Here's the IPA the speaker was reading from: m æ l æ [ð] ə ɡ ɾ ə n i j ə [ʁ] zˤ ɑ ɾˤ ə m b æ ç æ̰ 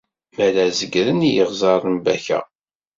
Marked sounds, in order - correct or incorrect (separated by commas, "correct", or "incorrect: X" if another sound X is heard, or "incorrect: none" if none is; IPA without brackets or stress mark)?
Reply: incorrect: z, correct